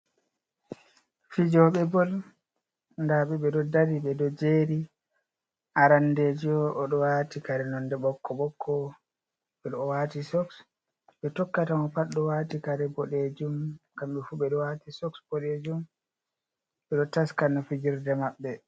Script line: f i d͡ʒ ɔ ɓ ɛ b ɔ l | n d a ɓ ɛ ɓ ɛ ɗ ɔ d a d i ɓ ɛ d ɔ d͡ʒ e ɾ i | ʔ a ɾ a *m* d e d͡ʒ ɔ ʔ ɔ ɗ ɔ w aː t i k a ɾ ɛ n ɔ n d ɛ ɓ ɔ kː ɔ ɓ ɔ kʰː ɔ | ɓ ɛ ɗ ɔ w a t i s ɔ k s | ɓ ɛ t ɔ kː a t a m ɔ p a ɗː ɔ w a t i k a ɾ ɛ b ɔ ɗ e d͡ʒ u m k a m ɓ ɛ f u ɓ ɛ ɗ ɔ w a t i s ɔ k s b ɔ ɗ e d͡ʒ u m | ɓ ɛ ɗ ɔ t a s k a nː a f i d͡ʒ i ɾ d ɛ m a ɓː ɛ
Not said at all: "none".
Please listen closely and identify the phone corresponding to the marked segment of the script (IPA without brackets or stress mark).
n